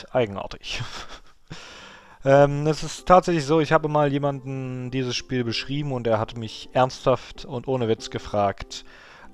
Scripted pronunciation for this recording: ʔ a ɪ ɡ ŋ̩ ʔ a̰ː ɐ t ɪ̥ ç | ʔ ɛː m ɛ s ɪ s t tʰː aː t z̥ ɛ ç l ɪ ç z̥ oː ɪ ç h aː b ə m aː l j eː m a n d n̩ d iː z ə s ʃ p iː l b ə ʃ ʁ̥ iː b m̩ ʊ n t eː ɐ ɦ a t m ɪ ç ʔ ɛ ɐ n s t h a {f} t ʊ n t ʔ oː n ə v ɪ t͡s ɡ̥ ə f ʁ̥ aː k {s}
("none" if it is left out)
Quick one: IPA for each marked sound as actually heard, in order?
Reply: f, t

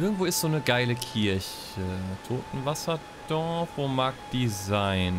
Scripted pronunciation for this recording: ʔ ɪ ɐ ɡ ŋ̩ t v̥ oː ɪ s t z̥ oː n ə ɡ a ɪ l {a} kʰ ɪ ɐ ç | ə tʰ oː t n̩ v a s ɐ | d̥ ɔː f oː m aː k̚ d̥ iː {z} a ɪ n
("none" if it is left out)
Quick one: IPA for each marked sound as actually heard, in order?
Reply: ə, z

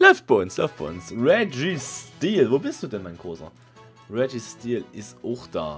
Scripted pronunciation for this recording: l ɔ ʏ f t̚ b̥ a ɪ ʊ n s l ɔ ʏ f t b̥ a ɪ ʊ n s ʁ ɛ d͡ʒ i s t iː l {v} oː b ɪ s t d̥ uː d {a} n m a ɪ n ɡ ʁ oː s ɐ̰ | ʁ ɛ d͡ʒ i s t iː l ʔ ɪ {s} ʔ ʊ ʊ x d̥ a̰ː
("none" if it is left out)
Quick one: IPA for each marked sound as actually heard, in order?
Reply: v, ɛ, s

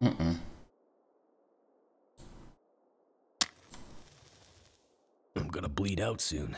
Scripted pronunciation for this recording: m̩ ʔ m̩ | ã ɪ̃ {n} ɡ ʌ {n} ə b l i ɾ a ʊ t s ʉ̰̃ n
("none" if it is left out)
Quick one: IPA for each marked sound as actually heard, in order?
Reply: m, n

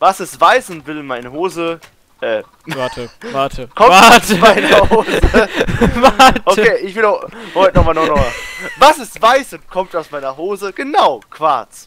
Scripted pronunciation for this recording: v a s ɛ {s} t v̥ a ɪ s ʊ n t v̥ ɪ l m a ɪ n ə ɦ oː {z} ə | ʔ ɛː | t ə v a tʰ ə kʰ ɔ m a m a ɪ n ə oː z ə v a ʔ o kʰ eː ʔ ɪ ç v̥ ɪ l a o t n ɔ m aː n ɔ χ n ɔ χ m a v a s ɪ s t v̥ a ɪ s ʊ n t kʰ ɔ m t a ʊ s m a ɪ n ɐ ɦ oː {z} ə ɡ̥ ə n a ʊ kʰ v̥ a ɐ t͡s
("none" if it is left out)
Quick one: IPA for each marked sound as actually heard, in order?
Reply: s, z, z

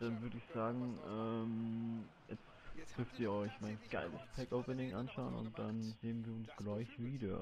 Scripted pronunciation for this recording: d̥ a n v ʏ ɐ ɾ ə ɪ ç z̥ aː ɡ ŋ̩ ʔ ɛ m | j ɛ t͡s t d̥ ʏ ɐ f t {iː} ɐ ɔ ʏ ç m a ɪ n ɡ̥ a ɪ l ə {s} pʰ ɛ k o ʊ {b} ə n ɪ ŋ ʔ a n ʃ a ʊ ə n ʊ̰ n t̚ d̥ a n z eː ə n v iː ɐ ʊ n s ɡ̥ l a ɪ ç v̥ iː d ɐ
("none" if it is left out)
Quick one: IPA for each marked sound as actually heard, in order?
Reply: iː, s, p

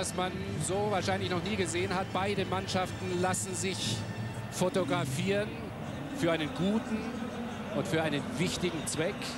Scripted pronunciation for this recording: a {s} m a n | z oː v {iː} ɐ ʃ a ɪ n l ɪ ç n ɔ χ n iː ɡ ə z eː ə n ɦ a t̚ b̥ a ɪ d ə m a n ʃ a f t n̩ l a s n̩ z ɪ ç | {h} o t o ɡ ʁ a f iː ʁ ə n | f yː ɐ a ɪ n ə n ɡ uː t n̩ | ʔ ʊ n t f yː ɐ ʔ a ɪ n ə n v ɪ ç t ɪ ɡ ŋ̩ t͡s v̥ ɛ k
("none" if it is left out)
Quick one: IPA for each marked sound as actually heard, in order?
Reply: s, aː, f

